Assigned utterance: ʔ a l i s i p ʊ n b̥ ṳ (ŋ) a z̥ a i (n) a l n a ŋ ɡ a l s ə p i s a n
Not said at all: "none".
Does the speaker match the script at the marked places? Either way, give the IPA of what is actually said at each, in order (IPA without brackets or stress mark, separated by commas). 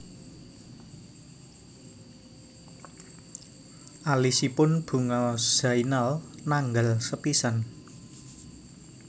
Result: ŋ, n